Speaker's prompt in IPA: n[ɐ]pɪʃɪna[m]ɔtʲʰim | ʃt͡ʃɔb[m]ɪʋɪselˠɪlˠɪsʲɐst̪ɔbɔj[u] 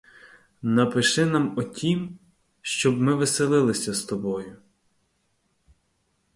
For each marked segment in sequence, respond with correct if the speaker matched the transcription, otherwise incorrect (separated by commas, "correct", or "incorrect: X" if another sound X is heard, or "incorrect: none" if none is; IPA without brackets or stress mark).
correct, correct, correct, incorrect: ʊ